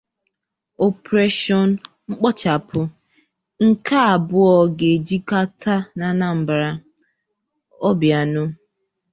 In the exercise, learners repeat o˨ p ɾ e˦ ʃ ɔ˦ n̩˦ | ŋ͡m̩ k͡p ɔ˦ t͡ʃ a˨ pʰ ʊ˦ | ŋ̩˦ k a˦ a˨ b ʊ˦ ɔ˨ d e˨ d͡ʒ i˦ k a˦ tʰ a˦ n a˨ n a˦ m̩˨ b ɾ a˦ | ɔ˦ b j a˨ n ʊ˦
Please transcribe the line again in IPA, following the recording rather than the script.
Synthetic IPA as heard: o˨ p ɾ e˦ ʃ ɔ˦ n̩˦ | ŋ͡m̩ k͡p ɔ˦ t͡ʃ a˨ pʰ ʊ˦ | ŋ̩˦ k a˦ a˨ b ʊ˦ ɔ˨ ɡ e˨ d͡ʒ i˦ k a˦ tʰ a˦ n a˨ n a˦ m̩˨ b ɾ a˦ | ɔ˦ b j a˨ n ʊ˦